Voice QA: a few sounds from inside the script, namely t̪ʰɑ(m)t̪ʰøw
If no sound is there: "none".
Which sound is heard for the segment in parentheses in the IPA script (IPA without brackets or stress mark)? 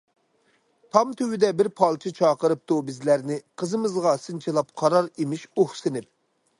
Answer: m